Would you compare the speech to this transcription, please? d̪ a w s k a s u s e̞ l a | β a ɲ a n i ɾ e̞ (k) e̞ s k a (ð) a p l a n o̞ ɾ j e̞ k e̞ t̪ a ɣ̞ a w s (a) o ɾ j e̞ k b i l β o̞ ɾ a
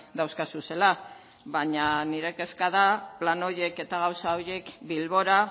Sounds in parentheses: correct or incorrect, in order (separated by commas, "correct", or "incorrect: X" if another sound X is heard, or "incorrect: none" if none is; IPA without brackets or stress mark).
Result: correct, correct, correct